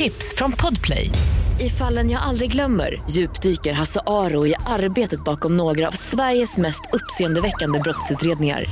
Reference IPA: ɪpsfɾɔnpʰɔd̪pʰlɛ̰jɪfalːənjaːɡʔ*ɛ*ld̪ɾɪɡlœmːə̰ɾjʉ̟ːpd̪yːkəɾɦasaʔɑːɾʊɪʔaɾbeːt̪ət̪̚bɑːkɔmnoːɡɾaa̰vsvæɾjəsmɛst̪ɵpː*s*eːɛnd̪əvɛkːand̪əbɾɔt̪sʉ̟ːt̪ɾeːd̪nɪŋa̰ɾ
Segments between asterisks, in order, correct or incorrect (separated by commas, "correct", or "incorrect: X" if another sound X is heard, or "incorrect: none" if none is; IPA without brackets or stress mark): incorrect: a, correct